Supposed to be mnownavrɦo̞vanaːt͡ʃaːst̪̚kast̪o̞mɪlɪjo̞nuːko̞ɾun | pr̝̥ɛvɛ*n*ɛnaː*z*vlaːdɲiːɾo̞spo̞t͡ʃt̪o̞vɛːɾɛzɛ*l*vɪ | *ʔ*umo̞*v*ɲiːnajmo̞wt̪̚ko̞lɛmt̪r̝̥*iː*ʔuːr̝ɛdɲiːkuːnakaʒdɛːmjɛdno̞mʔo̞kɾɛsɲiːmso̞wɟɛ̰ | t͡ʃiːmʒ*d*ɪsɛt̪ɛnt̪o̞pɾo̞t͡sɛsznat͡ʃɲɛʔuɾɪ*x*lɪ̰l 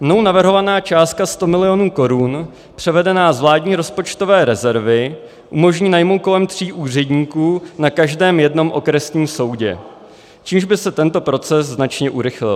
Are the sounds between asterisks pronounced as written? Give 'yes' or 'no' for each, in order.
no, yes, no, yes, no, yes, no, yes

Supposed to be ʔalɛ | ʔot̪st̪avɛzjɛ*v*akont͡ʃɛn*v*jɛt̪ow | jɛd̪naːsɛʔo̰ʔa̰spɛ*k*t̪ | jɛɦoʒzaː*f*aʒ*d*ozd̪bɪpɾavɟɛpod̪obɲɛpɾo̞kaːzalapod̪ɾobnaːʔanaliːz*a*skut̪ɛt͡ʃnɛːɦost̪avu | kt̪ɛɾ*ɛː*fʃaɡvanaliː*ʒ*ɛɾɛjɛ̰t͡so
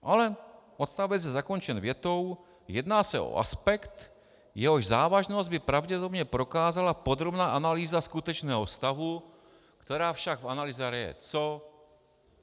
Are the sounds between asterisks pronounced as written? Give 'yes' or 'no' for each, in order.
no, yes, yes, no, no, yes, no, no

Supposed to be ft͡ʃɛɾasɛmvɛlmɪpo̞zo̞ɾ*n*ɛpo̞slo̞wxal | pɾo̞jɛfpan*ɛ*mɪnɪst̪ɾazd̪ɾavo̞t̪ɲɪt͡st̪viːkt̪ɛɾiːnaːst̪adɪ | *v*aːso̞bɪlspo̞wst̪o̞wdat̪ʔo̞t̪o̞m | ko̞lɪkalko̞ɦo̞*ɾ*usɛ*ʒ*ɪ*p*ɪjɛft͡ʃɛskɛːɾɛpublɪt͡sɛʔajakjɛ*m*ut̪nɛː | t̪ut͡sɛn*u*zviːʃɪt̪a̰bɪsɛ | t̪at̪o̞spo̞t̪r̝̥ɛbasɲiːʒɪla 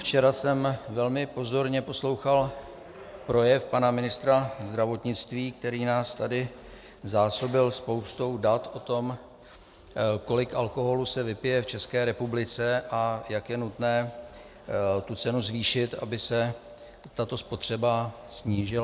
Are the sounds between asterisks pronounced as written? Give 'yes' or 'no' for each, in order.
no, no, no, no, no, yes, no, yes

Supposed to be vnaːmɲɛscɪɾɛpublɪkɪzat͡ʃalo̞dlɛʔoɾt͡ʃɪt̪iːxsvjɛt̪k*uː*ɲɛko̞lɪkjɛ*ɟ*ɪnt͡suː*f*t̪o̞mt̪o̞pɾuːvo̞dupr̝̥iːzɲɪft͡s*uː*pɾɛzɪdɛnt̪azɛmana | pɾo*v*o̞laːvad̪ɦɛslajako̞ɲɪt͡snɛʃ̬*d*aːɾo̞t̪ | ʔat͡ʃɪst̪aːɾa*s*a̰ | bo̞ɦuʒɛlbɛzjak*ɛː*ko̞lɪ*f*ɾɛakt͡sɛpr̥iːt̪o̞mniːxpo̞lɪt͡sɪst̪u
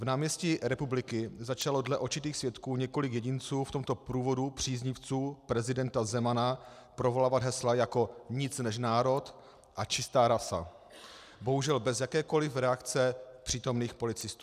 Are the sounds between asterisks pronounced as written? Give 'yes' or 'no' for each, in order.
yes, yes, yes, yes, yes, no, yes, yes, yes

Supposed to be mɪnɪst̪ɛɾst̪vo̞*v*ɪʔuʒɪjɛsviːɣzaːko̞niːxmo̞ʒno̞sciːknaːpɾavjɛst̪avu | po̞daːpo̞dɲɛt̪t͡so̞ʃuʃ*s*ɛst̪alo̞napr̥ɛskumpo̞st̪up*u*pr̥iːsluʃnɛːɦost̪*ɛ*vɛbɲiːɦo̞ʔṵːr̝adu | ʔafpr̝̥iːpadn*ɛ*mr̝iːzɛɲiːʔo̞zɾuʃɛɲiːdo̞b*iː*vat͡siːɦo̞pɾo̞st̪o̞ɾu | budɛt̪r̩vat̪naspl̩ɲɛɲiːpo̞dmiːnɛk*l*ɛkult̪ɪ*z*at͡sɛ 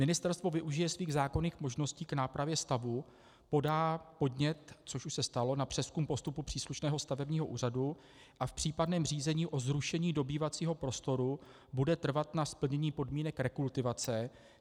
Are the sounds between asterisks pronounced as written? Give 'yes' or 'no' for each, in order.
yes, yes, yes, no, no, yes, no, no

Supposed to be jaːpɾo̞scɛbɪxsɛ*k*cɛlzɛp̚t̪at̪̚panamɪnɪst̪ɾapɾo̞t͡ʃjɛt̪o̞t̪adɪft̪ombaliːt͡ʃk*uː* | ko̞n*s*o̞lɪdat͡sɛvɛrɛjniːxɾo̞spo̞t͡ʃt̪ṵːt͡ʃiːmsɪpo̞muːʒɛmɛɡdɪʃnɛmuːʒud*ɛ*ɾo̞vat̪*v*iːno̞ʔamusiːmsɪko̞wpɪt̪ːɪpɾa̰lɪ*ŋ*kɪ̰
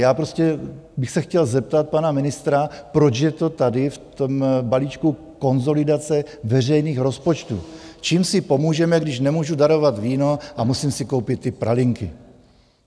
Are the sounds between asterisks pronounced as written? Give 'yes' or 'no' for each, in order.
no, no, no, no, yes, yes

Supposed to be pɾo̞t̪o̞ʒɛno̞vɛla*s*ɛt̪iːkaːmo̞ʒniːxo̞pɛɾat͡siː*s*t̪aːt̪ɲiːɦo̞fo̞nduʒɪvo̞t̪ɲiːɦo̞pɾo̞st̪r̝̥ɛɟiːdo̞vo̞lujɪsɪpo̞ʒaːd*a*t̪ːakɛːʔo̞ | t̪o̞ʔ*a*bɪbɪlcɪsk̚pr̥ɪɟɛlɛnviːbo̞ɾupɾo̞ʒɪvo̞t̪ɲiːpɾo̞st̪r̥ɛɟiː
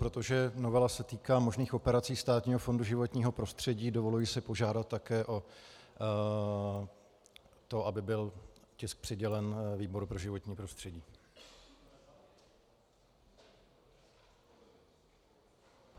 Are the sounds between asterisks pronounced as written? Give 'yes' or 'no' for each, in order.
yes, yes, yes, yes

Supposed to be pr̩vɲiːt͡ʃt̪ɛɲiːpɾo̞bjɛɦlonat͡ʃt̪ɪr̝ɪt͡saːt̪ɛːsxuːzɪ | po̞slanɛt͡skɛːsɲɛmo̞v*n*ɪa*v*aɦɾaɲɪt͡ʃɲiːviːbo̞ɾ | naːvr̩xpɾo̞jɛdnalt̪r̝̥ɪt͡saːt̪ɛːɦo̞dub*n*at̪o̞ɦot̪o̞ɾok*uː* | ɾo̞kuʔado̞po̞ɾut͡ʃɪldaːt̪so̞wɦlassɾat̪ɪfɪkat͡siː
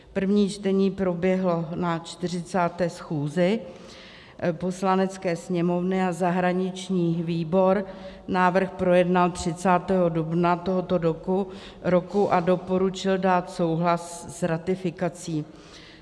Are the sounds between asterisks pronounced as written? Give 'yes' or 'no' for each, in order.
yes, no, yes, no

